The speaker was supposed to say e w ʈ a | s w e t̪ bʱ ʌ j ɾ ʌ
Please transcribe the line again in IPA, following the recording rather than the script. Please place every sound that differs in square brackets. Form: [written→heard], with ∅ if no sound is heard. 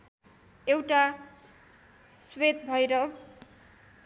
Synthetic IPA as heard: e w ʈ a | s w e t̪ bʱ ʌ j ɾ ʌ

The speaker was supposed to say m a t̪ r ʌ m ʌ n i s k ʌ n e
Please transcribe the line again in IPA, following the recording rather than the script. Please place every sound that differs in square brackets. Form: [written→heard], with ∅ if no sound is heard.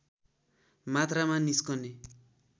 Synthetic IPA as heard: m a t̪ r [ʌ→a] m [ʌ→a] n i s k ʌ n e

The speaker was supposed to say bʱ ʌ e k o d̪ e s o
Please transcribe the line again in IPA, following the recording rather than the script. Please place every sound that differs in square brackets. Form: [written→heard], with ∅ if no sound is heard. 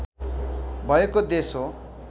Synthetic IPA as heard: bʱ ʌ e k o d̪ e s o

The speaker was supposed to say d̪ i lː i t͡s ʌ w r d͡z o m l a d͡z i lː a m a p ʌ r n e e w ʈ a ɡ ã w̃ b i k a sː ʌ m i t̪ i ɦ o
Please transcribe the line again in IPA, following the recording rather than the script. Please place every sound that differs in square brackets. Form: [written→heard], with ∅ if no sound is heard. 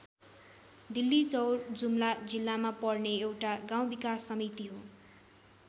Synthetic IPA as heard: d̪ i lː i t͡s ʌ w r d͡z [o→u] m l a d͡z i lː a m a p ʌ r n e e w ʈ a ɡ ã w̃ b i k a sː ʌ m i t̪ i ɦ o

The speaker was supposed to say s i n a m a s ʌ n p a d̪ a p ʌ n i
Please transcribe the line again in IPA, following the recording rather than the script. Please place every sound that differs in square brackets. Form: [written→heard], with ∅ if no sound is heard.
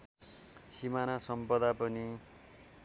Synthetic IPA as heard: s i [n→m] a [m→n] a s ʌ [n→m] p [a→ʌ] d̪ a p ʌ n i

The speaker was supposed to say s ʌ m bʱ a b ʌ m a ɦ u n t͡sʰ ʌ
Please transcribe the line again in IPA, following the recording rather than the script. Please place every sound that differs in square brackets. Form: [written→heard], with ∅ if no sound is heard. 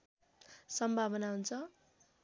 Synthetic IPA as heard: s ʌ m bʱ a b ʌ [m→n] a ɦ u n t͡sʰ ʌ

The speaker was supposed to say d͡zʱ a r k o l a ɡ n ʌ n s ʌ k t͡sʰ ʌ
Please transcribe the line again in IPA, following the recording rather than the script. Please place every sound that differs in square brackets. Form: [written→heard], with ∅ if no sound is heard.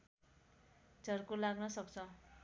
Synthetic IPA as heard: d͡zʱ [a→ʌ] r k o l a ɡ n ʌ [n→∅] s ʌ k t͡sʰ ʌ

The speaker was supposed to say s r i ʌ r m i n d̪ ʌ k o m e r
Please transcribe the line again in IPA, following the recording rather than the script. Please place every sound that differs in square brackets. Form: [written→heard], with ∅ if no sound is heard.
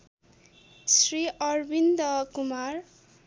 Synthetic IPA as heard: s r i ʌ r [m→b] i n d̪ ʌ k [o→u] m [e→a] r

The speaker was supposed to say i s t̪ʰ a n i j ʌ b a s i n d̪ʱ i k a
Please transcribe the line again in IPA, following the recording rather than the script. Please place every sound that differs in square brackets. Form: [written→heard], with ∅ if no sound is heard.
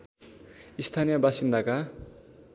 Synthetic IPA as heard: i s t̪ʰ a n i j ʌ b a s i n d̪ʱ [i→a] k a

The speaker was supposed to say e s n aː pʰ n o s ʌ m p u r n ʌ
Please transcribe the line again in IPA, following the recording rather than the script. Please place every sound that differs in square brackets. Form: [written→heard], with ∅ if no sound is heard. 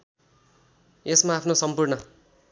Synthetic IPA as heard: e s [n→m] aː pʰ n o s ʌ m p u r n ʌ

